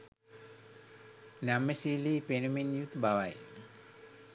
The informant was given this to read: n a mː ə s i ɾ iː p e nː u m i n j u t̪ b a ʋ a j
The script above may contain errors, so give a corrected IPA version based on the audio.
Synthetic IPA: n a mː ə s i l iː p e n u m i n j u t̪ b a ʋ a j